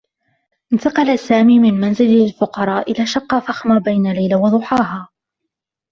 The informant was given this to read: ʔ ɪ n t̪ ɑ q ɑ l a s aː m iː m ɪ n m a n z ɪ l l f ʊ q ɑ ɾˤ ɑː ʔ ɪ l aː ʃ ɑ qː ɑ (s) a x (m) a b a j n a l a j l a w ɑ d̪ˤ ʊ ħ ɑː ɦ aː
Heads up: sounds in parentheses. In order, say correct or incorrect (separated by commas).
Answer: incorrect, correct